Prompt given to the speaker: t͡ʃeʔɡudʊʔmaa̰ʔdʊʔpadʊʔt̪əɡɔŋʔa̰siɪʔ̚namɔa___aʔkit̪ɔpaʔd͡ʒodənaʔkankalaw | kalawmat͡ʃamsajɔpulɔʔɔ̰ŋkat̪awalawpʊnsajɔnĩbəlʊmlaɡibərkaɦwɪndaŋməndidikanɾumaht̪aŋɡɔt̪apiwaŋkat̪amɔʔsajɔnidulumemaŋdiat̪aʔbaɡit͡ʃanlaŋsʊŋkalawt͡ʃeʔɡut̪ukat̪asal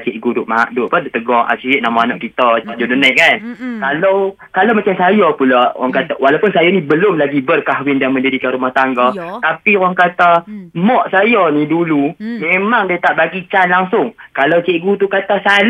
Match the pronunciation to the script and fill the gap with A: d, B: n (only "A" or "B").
B